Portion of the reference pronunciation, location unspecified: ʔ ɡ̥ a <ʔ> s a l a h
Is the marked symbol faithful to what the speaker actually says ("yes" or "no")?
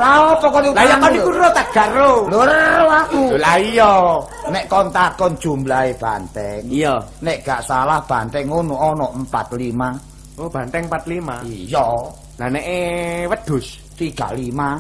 yes